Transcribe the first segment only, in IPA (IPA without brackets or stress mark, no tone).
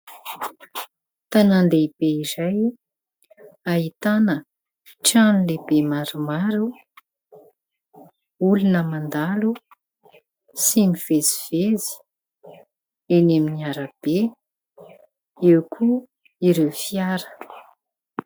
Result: t̪